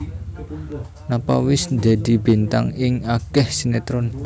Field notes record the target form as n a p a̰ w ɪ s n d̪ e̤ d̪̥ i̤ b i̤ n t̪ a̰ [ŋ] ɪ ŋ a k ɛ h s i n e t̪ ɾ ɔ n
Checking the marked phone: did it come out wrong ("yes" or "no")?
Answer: no